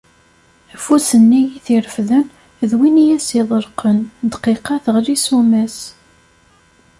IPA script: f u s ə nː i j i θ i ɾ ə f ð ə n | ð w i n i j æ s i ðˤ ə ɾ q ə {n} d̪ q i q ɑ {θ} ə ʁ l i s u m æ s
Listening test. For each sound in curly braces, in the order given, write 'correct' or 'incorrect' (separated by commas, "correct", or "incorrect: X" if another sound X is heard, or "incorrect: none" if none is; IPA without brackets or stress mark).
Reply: correct, correct